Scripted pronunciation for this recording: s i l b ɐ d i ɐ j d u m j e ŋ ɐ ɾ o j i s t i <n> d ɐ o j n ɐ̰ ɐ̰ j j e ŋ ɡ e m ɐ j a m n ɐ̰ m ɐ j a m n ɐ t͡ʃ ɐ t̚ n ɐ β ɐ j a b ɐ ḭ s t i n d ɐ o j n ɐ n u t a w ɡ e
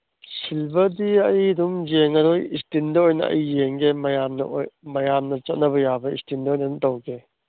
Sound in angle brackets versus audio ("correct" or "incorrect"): correct